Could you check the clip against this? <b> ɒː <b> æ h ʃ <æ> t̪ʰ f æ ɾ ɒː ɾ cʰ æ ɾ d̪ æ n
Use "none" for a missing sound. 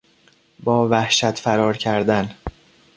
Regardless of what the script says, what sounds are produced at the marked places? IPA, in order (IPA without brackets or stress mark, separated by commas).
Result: b, v, æ